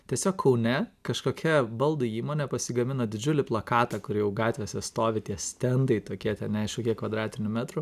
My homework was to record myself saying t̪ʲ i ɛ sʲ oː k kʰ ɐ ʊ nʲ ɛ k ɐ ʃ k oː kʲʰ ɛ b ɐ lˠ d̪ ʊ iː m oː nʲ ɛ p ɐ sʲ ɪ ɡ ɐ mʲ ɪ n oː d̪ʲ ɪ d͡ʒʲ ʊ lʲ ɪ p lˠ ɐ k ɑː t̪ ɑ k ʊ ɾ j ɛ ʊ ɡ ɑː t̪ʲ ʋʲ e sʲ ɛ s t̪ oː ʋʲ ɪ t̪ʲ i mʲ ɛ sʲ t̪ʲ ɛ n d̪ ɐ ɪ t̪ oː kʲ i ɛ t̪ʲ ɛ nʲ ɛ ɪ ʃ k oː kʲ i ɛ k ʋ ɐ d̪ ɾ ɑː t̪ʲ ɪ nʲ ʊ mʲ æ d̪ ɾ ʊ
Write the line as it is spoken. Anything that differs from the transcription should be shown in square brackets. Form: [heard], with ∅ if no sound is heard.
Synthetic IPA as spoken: t̪ʲ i ɛ sʲ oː k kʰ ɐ ʊ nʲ ɛ k ɐ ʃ k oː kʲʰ ɛ b ɐ lˠ d̪ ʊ iː m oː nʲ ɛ p ɐ sʲ ɪ ɡ ɐ mʲ ɪ n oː d̪ʲ ɪ d͡ʒʲ ʊ lʲ ɪ p lˠ ɐ k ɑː t̪ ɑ k ʊ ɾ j ɛ ʊ ɡ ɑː t̪ʲ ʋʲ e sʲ ɛ s t̪ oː ʋʲ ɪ t̪ʲ i [∅] ɛ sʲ t̪ʲ ɛ n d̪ ɐ ɪ t̪ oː kʲ i ɛ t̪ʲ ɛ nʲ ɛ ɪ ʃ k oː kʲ i ɛ k ʋ ɐ d̪ ɾ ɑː t̪ʲ ɪ nʲ ʊ mʲ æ [t̪] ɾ ʊ